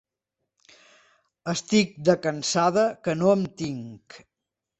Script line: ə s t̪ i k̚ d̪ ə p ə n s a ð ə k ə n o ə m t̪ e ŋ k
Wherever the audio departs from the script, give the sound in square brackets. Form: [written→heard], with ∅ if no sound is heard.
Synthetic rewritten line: ə s t̪ i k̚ d̪ ə [p→k] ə n s a ð ə k ə n o ə m t̪ [e→i] ŋ k